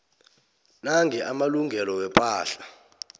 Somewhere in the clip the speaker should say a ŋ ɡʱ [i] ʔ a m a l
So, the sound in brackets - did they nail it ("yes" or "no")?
no